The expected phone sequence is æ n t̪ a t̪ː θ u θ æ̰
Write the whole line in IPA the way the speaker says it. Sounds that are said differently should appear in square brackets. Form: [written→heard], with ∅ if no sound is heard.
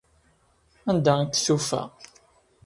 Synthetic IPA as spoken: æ n [t̪→d̪] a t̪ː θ u [θ→f] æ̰